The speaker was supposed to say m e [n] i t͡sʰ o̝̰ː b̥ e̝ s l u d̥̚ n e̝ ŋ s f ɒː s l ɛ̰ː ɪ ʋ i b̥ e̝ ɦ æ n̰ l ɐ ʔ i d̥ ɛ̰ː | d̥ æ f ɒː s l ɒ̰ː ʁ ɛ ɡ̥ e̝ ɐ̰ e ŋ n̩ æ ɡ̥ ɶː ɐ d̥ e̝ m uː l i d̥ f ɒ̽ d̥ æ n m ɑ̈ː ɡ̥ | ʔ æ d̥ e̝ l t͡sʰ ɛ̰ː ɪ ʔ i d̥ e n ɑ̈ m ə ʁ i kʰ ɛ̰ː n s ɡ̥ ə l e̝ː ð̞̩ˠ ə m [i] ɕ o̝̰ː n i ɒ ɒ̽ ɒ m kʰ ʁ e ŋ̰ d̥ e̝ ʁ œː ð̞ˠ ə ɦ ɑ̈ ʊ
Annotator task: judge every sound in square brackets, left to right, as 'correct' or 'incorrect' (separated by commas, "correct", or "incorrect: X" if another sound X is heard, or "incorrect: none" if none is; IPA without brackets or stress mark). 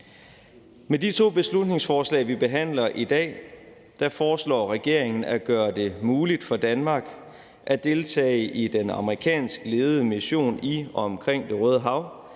incorrect: d, correct